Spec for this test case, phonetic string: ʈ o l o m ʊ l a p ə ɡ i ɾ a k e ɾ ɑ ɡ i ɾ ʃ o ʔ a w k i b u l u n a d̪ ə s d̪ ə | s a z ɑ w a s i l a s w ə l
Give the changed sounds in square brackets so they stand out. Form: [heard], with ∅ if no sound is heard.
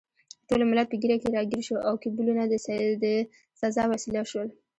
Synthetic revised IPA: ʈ o l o m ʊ l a p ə ɡ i ɾ a k e ɾ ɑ ɡ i ɾ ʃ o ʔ a w k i b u l u n a d̪ ə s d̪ ə | s a z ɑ w a s i l a [ʃ] w ə l